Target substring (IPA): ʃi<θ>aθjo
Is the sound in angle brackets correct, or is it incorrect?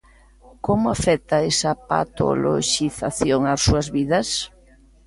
correct